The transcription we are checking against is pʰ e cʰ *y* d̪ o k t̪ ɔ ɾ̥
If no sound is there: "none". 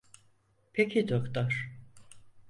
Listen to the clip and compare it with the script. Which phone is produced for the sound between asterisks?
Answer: i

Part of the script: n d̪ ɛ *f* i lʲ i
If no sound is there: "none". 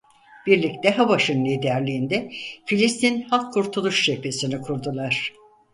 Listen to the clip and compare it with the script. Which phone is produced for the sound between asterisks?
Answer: f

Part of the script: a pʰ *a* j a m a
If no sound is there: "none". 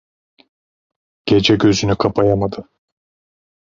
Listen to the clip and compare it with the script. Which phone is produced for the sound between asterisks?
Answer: a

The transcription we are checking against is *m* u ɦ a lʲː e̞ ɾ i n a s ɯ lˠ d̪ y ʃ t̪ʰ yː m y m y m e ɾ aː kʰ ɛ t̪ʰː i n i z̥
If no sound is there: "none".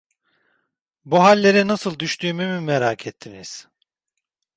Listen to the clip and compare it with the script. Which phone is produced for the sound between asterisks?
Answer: b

